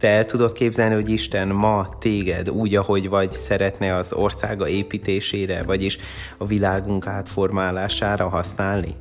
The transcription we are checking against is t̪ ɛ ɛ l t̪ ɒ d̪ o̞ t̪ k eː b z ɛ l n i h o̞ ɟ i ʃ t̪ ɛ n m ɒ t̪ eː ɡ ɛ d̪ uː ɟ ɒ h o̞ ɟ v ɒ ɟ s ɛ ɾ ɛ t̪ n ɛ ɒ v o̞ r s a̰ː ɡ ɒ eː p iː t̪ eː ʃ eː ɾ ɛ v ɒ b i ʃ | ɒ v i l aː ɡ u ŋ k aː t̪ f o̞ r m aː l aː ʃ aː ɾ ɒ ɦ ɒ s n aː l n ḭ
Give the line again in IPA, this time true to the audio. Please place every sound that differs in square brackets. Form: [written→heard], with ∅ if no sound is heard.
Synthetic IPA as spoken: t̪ ɛ ɛ l t̪ [ɒ→u] d̪ o̞ t̪ k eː b z ɛ l n i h o̞ ɟ i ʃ t̪ ɛ n m ɒ t̪ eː ɡ ɛ d̪ uː ɟ ɒ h o̞ ɟ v ɒ ɟ s ɛ ɾ ɛ t̪ n ɛ ɒ [v→z] o̞ r s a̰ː ɡ ɒ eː p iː t̪ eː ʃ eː ɾ ɛ v ɒ [b→ɟ] i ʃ | ɒ v i l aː ɡ u ŋ k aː t̪ f o̞ r m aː l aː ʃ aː ɾ ɒ ɦ ɒ s n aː l n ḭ